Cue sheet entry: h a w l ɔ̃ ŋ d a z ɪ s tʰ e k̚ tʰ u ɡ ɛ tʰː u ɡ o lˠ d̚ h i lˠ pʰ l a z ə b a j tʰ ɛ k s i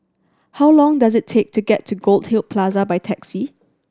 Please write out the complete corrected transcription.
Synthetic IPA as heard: h a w l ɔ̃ ŋ d a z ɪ tʰ e k̚ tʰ u ɡ ɛ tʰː u ɡ o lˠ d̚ h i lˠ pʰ l a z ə b a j tʰ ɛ k s i